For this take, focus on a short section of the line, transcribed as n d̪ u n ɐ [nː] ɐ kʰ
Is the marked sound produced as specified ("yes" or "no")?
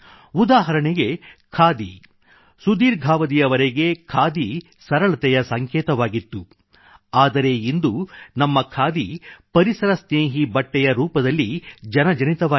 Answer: no